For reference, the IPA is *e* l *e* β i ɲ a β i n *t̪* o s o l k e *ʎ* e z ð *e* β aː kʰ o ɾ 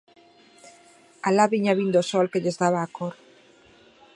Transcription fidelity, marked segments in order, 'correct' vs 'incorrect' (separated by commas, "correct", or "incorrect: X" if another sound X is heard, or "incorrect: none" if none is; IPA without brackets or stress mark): incorrect: a, incorrect: a, incorrect: d̪, correct, incorrect: a